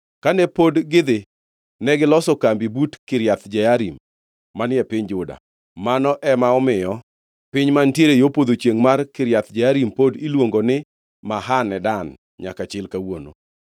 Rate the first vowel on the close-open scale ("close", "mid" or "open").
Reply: open